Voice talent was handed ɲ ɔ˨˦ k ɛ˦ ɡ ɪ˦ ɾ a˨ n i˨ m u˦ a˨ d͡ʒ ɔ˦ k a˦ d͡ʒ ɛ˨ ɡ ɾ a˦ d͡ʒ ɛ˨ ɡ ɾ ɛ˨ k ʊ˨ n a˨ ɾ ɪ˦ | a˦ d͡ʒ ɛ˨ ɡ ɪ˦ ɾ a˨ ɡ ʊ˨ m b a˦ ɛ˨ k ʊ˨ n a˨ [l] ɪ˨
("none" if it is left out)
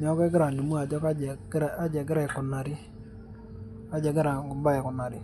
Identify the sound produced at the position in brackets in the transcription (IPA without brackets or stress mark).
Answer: ɾ